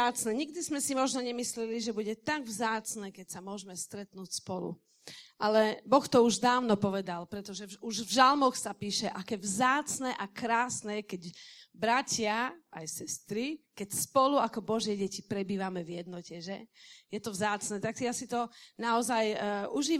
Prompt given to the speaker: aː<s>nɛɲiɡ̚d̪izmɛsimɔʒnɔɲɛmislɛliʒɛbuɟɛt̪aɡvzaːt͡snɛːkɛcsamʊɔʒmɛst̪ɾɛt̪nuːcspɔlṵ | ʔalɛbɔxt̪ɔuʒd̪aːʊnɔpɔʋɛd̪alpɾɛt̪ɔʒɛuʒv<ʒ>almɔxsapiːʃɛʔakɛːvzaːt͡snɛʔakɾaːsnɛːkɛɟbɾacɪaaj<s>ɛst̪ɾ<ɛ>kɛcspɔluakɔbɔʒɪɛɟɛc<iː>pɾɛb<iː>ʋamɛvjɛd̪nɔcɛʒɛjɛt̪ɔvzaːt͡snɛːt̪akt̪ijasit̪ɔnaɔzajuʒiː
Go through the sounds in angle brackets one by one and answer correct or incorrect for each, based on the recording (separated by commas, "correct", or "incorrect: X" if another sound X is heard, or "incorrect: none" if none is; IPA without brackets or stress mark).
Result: incorrect: t͡s, correct, correct, incorrect: i, incorrect: i, correct